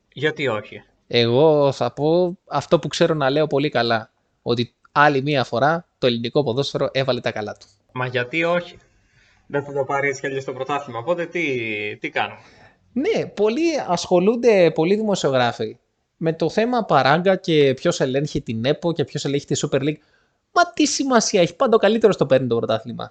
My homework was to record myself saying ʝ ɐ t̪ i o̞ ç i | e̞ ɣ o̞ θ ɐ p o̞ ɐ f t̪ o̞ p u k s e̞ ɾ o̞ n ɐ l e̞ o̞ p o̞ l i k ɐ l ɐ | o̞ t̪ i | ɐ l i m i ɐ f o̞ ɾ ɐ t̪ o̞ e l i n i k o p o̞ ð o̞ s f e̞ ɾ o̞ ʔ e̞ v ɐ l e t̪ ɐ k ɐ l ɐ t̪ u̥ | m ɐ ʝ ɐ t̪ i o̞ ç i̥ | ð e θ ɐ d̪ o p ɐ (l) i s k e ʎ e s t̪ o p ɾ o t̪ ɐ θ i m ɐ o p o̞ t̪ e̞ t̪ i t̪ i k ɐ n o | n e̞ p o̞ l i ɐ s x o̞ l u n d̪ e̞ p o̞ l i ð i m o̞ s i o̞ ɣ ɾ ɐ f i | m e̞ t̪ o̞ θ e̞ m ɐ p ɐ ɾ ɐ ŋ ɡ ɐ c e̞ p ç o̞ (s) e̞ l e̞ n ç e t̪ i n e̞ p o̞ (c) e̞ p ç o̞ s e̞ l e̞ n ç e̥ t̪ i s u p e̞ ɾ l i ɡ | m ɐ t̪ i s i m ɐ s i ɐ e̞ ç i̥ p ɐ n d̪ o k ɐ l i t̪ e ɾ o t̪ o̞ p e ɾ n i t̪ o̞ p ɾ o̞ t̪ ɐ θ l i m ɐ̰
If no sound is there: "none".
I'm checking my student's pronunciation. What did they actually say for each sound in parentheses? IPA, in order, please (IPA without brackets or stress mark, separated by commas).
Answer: ɾ, s, c